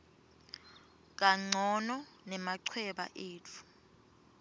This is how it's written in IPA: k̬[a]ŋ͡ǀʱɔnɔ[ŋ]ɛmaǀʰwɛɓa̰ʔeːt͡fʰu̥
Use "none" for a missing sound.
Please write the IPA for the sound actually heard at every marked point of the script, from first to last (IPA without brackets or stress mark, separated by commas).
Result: a, n